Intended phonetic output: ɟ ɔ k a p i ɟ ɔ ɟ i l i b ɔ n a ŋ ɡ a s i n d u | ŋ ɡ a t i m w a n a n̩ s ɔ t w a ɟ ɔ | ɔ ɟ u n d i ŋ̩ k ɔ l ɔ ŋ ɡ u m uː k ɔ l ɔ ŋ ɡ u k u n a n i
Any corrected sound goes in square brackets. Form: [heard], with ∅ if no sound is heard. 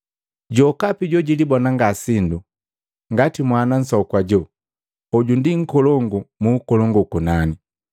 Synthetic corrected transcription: ɟ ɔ k a p i ɟ ɔ ɟ i l i b ɔ n a ŋ ɡ a s i n d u | ŋ ɡ a t i m w a n a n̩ s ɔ [k] w a ɟ ɔ | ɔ ɟ u n d i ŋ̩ k ɔ l ɔ ŋ ɡ u m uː k ɔ l ɔ ŋ ɡ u k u n a n i